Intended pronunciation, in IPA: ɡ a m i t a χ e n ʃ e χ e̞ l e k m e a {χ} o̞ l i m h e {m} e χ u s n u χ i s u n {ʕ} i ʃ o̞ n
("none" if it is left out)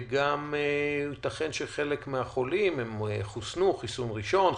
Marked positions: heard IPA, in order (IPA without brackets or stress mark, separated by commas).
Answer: χ, m, ʁ